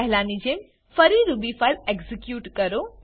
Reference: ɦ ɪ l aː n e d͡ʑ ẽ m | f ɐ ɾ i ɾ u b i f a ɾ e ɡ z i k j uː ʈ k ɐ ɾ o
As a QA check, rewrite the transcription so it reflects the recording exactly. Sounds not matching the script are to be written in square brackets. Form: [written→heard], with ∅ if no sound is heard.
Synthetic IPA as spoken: ɦ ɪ l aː n [e→i] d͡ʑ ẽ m | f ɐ ɾ i ɾ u b i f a [ɾ→l] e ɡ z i k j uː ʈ k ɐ ɾ o

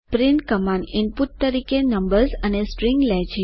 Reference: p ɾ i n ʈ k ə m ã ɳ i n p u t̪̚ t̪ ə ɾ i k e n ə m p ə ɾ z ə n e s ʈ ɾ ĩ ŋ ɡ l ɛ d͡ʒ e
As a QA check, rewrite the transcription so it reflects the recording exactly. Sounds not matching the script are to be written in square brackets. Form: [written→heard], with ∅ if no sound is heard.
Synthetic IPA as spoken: p ɾ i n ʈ k ə m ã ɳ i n p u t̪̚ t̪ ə ɾ i k e n ə m [p→b] ə ɾ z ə n e s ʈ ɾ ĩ ŋ ɡ l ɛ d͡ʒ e

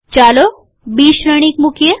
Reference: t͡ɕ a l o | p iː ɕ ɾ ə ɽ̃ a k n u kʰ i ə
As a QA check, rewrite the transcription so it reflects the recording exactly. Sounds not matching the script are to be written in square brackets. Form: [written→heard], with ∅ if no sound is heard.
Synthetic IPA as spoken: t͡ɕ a l o | [p→b] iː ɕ ɾ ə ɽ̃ [a→i] k [n→m] u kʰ [i→j] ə

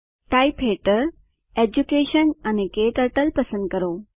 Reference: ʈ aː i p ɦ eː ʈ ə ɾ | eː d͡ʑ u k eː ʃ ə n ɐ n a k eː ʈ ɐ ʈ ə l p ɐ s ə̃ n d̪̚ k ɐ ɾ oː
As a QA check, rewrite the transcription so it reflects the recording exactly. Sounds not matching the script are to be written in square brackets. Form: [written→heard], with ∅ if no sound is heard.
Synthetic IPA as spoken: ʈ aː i p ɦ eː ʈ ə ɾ | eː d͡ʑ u k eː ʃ ə n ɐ n [a→e] k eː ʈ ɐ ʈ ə l p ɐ s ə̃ n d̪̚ k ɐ ɾ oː

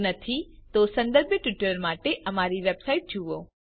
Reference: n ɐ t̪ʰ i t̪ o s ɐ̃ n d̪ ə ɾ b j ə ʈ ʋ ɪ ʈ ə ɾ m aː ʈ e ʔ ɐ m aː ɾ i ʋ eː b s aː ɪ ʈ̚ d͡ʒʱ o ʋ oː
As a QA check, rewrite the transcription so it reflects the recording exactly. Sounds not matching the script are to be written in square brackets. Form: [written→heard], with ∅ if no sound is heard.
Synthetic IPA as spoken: n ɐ t̪ʰ i t̪ o s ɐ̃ n d̪ ə ɾ b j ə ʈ ʋ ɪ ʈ ə ɾ m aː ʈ e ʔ ɐ m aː ɾ i ʋ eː b s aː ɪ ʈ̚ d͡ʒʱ [o→u] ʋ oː

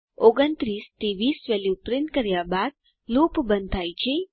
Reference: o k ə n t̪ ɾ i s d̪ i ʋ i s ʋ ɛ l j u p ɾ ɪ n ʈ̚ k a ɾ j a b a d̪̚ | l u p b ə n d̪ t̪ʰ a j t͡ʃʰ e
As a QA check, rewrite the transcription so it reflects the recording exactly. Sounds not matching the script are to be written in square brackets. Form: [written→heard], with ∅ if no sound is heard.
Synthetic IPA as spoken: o [k→ɡ] ə n t̪ ɾ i s [d̪→t̪] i ʋ i s ʋ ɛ l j u p ɾ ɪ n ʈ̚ k [a→ə] ɾ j a b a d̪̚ | l u p b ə n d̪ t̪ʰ a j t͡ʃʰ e

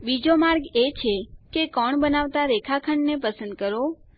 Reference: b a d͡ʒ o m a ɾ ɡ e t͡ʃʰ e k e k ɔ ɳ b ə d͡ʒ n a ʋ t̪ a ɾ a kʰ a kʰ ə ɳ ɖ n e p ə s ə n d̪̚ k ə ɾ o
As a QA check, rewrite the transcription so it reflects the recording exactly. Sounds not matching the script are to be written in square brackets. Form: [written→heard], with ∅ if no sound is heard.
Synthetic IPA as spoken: b [a→i] d͡ʒ o m a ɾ ɡ e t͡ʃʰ e k e k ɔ ɳ b ə [d͡ʒ→∅] n a ʋ t̪ a ɾ [a→e] kʰ a kʰ ə ɳ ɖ n e p ə s ə n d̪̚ k ə ɾ o

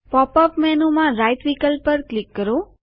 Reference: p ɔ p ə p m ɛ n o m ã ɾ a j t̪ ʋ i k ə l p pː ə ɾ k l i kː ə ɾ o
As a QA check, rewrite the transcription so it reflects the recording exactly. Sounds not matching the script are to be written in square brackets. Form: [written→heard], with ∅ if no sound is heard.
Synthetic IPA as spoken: p ɔ p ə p m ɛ n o m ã ɾ a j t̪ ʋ i k ə l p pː ə ɾ k l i kː ə ɾ o

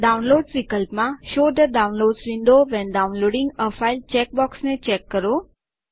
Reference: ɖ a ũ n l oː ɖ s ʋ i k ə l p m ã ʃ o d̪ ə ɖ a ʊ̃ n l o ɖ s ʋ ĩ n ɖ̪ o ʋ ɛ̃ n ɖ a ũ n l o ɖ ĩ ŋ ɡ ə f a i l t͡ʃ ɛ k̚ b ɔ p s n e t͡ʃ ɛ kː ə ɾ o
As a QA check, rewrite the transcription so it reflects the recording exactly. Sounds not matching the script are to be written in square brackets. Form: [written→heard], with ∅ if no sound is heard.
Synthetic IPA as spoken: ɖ a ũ n l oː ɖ s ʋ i k ə l p m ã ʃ o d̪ ə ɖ a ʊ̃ n l o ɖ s ʋ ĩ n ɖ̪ o ʋ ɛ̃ n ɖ a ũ n l o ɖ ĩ ŋ ɡ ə f a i l t͡ʃ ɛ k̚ b ɔ [p→k] s n e t͡ʃ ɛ kː ə ɾ o

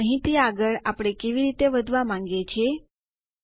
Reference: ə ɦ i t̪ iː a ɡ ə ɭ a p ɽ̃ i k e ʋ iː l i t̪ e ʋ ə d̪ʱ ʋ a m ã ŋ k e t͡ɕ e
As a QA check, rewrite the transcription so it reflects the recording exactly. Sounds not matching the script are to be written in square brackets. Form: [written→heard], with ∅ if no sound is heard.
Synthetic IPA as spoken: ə ɦ i t̪ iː a ɡ ə ɭ a p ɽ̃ [i→e] k e ʋ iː [l→ɾ] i t̪ e ʋ ə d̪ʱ ʋ a m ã ŋ [k→ɡ] e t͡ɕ e

